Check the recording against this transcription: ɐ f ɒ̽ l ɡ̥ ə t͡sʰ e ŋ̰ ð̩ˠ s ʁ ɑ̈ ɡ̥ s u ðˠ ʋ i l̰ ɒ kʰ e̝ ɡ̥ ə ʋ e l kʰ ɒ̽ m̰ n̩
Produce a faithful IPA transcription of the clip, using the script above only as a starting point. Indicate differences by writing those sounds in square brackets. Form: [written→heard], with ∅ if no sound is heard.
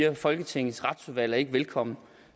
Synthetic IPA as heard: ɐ f ɒ̽ l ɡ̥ ə t͡sʰ e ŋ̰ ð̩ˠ s ʁ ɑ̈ [ɡ̥→d̥] s u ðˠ ʋ [i→æ] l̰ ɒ [kʰ→∅] e̝ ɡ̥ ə ʋ e l kʰ ɒ̽ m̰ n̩